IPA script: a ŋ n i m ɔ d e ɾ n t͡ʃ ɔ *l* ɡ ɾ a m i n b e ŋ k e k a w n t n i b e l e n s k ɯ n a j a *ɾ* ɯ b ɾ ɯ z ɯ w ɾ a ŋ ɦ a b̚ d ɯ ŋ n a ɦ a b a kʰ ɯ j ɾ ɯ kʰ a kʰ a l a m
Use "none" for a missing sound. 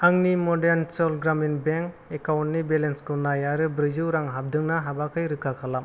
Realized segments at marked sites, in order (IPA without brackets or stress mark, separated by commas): l, ɾ